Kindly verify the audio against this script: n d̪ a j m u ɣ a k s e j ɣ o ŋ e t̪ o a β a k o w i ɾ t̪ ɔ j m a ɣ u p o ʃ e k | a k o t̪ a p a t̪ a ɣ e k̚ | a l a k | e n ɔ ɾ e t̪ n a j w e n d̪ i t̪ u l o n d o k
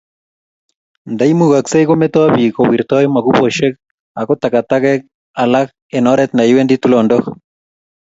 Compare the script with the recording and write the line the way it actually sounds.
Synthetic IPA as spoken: n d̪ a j m u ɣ a k s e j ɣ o m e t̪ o a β i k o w i ɾ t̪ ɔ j m a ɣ u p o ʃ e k | a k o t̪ a k a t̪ a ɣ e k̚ | a l a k | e n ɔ ɾ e t̪ n a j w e n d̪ i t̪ u l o n d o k

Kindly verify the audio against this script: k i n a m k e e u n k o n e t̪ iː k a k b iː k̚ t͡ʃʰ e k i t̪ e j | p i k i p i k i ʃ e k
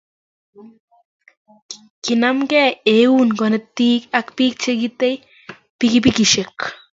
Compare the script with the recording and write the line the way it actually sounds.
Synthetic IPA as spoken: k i n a m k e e u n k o n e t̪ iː k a k p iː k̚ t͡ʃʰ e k i t̪ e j | p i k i p i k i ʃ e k

